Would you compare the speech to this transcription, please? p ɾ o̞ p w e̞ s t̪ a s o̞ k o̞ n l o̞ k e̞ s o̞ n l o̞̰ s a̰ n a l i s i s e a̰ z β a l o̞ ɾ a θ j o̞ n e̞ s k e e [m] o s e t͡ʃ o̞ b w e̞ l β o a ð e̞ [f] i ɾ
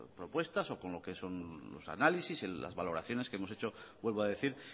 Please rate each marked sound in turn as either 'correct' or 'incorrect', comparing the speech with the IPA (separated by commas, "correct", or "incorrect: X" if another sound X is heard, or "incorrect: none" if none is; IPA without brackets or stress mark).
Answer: correct, incorrect: θ